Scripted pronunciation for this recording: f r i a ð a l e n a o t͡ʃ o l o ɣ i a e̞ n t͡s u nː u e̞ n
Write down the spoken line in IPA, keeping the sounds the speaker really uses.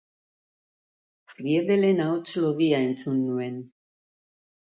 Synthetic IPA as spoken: f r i e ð e l e n a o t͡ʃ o l o ɣ i a e̞ n t͡s u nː u e̞ n